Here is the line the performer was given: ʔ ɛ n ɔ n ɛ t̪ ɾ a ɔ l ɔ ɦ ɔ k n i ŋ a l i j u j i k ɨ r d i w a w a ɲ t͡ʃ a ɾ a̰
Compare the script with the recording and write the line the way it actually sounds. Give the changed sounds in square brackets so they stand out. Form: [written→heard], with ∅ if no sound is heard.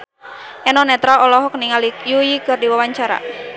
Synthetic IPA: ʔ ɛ n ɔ n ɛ t̪ ɾ a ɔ l ɔ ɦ ɔ k n i ŋ a l i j u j i k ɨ r d i w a w a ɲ t͡ʃ a ɾ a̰